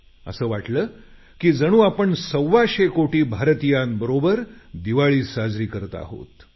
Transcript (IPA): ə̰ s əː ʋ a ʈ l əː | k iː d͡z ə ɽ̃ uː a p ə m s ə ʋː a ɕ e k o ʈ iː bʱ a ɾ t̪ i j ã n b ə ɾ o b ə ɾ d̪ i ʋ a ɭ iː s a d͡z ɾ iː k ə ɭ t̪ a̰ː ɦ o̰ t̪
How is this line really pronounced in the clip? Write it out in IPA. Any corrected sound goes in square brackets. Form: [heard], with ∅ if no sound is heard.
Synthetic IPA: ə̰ s əː ʋ a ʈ l əː | k iː d͡z ə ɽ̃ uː a p ə [ɳ] s ə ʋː a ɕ e k o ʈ iː bʱ a ɾ t̪ i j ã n b ə ɾ o b ə ɾ d̪ i ʋ a ɭ iː s a d͡z ɾ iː k ə [ɾ] t̪ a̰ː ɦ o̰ t̪